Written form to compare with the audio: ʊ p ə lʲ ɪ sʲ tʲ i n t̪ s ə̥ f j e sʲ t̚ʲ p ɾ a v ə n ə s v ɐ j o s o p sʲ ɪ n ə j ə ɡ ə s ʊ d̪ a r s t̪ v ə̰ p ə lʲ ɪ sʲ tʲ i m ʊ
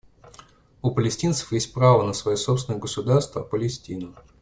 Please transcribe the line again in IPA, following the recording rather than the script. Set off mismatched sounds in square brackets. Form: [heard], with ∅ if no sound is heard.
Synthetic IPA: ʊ p ə lʲ ɪ sʲ tʲ i n t̪ s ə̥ f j e sʲ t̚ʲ p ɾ a v ə n ə s v ɐ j o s o p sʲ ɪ n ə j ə ɡ ə s ʊ d̪ a r s t̪ v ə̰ p ə lʲ ɪ sʲ tʲ i [n] ʊ